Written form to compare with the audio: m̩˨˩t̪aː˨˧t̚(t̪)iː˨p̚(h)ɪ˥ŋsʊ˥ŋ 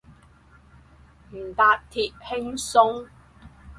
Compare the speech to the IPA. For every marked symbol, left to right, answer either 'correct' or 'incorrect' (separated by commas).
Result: incorrect, correct